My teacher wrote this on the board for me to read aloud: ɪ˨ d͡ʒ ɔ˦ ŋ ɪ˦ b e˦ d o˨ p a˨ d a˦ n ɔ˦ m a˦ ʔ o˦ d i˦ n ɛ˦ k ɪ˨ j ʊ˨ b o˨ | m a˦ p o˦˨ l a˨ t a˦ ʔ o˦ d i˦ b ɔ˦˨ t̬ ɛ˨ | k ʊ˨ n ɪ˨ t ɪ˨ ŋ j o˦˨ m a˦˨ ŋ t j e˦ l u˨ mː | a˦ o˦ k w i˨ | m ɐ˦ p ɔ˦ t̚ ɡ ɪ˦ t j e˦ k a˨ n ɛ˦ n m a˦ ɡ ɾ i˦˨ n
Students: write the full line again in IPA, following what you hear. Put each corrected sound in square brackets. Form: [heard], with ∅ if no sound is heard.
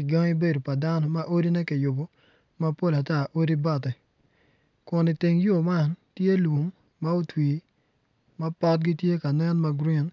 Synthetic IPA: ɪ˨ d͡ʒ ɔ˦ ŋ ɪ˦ b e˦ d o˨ p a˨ d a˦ n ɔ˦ m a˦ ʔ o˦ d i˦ n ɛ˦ k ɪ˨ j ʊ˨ b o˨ | m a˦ p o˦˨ l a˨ t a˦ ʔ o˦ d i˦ b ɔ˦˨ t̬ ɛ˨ | k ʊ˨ n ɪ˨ t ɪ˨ ŋ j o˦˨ m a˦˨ [n] t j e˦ l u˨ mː | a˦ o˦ [t] w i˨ | m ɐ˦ p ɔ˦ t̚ ɡ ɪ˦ t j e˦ k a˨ n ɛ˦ n m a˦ ɡ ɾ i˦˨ n